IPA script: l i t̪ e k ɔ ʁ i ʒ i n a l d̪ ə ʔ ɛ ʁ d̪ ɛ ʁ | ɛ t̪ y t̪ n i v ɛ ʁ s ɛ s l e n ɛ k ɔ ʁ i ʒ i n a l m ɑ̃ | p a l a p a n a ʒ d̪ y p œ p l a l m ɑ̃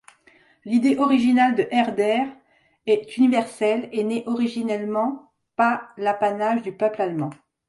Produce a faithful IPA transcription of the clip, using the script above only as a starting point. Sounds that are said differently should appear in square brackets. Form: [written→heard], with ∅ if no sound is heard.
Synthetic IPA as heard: l i [t̪→d̪] e [k→ʔ] ɔ ʁ i ʒ i n a l d̪ ə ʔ ɛ ʁ d̪ ɛ ʁ | ɛ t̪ y [t̪→∅] n i v ɛ ʁ s ɛ [s→∅] l e n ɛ [k→ʔ] ɔ ʁ i ʒ i n [a→ɛ] l m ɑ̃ | p a l a p a n a ʒ d̪ y p œ p l a l m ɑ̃